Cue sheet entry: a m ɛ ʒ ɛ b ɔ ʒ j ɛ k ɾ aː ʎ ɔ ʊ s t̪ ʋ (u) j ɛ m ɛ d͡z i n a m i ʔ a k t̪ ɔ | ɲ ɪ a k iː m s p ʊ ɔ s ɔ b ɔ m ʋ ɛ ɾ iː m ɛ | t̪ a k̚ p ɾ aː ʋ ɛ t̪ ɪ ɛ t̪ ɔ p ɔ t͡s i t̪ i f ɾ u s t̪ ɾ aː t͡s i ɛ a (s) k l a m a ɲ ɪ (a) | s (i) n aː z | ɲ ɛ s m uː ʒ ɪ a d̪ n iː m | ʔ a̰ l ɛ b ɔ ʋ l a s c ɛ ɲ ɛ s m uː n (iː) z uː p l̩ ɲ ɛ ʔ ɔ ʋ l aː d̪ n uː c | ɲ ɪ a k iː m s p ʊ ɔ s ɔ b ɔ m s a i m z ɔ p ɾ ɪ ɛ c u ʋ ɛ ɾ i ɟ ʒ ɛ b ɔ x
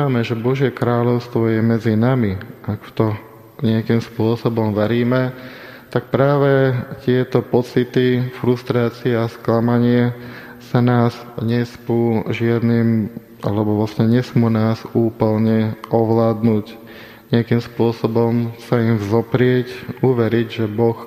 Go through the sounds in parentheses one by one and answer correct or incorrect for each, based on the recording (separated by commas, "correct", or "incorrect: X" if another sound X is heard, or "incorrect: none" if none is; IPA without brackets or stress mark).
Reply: incorrect: ɔ, correct, incorrect: ɛ, incorrect: a, incorrect: aː